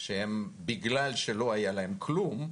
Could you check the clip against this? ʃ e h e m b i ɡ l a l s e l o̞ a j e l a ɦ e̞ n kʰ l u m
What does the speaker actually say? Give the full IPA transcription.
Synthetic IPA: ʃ e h e m b i ɡ l a l ʃ e l o̞ a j a l a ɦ e̞ m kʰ l u m

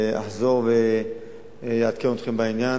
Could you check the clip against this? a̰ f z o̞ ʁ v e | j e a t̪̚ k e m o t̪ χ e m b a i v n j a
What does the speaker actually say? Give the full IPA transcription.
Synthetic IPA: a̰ ħ z o̞ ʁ v e | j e a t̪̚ k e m o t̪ χ e m b a i n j a

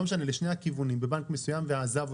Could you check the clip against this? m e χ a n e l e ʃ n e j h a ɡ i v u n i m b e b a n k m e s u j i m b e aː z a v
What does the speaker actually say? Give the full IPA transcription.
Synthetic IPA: m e ʃ a n e l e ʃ n e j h a k i v u n i m b e b a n k m e s u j a m v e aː z a v

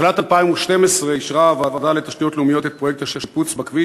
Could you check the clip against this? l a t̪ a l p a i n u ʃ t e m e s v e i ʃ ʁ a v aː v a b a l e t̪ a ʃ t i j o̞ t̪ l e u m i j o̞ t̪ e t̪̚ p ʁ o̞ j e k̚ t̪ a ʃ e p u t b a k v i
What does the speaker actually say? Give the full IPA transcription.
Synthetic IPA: l a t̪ a l p a i m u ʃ t e m e s ʁ e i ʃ ʁ a v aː v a d a l e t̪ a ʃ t i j o̞ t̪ l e u m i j o̞ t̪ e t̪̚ p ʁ o̞ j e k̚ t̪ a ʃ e p u t͡s b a k v i

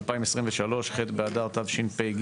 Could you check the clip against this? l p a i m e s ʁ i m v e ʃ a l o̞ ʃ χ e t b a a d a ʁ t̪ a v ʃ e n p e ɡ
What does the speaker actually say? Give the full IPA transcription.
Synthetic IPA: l p a i m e s ʁ i m v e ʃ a l o̞ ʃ χ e t b e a d a ʁ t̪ a v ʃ i n p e ɡ

